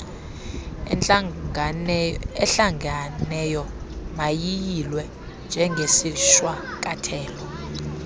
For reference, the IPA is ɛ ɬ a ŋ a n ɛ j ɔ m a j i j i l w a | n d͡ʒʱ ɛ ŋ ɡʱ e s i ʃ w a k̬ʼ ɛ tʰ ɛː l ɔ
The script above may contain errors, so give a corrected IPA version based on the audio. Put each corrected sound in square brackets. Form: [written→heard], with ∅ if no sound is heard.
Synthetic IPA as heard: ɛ ɬ a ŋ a n ɛ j ɔ m a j i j i l w [a→ɛ] | n d͡ʒʱ ɛ ŋ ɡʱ e s i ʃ w a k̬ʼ [ɛ→a] tʰ ɛː l ɔ